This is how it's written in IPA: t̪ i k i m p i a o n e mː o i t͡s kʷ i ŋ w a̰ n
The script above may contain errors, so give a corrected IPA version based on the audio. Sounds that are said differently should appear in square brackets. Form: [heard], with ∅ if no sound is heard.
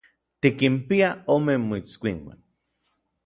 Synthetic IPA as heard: t̪ i k i m p i a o [m] e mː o i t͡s kʷ i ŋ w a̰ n